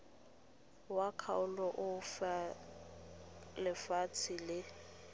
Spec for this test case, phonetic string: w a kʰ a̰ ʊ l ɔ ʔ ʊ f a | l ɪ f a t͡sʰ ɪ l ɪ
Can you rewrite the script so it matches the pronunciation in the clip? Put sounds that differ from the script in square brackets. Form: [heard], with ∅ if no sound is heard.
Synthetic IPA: w a kʰ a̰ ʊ l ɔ ʔ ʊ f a | l ɪ f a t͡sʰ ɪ l ɪ